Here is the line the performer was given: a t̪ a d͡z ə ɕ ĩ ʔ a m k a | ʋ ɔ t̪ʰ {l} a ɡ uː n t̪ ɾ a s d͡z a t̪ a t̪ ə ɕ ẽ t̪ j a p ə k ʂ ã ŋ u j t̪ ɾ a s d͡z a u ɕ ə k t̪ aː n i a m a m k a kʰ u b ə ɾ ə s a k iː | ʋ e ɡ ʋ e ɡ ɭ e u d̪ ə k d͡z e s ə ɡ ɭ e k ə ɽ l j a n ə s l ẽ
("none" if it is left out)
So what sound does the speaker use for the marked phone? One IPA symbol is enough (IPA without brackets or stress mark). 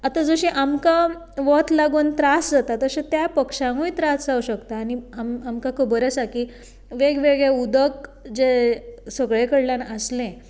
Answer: l